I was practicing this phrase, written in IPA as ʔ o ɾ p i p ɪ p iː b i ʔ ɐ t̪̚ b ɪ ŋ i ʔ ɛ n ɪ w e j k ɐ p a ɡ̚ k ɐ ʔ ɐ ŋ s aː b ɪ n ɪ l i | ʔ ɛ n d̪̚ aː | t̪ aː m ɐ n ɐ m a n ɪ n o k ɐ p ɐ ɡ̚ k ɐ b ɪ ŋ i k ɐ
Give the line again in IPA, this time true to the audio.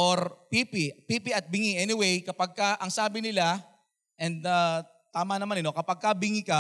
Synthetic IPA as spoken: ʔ o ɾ p i p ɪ p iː p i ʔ ɐ t̪̚ b ɪ ŋ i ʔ ɛ n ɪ w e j k ɐ p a ɡ̚ k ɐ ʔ ɐ ŋ s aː b ɪ n ɪ l a | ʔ ɛ n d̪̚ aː | t̪ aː m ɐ n ɐ m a n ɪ n o k ɐ p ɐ ɡ̚ k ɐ b ɪ ŋ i k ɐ